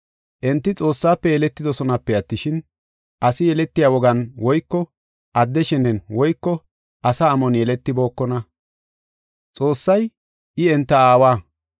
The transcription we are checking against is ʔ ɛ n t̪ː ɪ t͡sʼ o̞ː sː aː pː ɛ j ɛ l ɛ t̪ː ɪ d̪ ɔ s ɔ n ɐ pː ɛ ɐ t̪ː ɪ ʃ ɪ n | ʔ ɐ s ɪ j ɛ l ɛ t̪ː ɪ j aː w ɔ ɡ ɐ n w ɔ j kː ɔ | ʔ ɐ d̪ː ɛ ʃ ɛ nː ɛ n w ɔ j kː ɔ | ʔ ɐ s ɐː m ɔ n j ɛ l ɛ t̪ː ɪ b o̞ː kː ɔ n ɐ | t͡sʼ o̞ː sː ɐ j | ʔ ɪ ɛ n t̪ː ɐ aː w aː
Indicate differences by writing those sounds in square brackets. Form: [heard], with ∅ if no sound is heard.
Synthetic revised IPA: ʔ ɛ n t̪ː ɪ t͡sʼ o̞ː sː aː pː ɛ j ɛ l ɛ t̪ː ɪ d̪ ɔ s ɔ n ɐ pː ɛ ɐ t̪ː ɪ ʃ ɪ n | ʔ ɐ s ɪ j ɛ l ɛ t̪ː ɪ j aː w ɔ ɡ ɐ n w ɔ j kː ɔ | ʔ ɐ d̪ː ɛ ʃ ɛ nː ɛ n w ɔ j kː ɔ | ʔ ɐ s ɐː m ɔ n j ɛ l ɛ t̪ː ɪ b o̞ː kː ɔ n ɐ | t͡sʼ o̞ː sː ɐ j | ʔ ɪ ɛ n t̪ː ɐ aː w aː